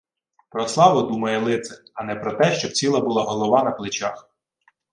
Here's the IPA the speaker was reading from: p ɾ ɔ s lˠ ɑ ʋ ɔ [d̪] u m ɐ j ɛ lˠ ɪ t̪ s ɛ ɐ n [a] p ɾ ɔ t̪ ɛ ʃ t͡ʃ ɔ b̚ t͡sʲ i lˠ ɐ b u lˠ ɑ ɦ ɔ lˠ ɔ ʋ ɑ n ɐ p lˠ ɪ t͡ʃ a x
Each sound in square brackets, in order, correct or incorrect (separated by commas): correct, incorrect